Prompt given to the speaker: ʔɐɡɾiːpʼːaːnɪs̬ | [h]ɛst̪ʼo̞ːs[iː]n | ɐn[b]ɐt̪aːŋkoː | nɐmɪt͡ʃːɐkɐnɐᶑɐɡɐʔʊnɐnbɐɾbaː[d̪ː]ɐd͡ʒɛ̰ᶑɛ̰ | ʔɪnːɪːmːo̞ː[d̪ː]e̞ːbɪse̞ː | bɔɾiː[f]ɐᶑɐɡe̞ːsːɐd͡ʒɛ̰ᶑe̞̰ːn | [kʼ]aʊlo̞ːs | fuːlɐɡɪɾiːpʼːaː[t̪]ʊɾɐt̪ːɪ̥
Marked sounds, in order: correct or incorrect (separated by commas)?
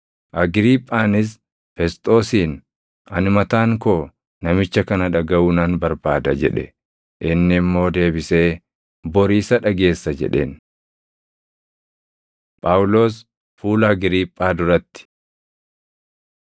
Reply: incorrect, correct, incorrect, incorrect, incorrect, incorrect, incorrect, incorrect